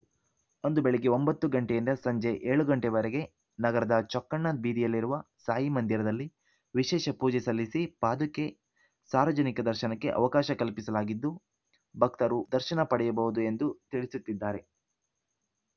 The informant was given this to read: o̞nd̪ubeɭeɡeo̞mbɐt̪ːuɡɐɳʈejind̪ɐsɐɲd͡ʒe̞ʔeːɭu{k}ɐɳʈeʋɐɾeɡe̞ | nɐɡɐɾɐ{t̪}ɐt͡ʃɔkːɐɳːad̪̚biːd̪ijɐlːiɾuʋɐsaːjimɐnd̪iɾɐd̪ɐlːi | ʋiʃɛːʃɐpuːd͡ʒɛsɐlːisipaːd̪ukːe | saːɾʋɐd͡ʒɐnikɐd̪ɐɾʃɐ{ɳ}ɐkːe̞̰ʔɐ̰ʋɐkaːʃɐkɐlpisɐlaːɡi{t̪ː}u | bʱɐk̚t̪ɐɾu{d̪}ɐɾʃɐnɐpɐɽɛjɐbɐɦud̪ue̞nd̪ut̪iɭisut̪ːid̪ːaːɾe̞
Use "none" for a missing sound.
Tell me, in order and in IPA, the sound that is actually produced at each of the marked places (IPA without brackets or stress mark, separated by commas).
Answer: ɡ, d̪, n, d̪ː, d̪